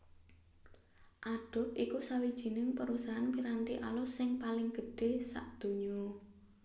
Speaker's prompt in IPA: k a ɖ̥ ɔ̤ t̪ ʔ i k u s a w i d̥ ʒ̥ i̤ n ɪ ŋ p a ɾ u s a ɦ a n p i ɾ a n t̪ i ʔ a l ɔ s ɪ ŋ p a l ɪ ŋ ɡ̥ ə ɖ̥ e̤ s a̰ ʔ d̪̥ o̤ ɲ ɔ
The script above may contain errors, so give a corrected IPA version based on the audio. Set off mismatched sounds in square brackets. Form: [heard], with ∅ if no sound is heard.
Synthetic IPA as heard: [ʔ] a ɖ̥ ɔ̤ t̪ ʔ i k u s a w i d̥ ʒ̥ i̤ n ɪ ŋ p [ə] ɾ u s a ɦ a n p i ɾ a n t̪ i ʔ a l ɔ s ɪ ŋ p a l ɪ ŋ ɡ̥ ə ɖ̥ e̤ s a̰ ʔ d̪̥ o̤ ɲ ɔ